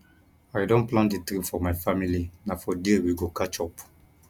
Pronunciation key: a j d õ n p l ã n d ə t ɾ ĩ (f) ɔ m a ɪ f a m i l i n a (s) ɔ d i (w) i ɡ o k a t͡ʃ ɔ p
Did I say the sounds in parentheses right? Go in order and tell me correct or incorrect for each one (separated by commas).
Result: correct, incorrect, correct